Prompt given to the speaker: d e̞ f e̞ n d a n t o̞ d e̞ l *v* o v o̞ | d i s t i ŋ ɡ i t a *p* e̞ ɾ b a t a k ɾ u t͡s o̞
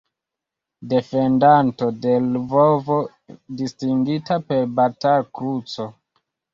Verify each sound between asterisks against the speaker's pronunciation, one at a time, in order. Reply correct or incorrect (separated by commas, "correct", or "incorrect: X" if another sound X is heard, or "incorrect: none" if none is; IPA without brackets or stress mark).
correct, correct